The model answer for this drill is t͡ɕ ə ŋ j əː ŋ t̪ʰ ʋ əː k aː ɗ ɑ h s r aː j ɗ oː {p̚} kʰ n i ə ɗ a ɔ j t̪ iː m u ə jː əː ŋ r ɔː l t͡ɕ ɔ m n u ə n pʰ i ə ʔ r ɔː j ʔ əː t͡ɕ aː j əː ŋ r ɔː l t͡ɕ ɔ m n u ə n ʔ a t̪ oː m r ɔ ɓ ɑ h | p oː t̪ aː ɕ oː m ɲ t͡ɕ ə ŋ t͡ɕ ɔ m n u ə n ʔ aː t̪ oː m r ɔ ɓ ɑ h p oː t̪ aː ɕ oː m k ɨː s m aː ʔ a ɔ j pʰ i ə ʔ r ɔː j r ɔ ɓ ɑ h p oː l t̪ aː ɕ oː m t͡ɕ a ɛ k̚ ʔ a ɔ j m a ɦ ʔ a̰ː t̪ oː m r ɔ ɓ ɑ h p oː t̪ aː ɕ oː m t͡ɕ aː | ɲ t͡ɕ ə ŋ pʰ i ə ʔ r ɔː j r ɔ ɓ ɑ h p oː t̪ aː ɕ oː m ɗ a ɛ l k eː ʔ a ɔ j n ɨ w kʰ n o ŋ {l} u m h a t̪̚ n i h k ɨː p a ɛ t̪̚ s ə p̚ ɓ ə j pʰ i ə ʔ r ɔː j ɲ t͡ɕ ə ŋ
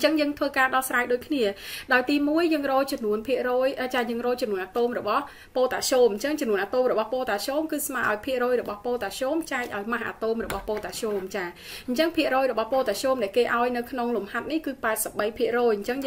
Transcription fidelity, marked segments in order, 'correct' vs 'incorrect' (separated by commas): incorrect, correct